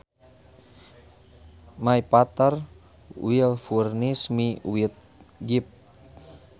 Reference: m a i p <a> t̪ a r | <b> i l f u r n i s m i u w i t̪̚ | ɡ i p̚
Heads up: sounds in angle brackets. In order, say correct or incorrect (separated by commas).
correct, incorrect